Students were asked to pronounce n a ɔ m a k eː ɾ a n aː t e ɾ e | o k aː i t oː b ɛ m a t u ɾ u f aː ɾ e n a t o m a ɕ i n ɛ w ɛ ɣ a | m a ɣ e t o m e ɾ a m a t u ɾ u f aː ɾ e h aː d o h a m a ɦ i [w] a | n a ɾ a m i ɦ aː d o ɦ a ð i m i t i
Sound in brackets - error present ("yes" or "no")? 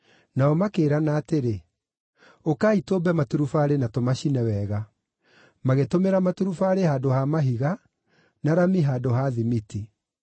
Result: yes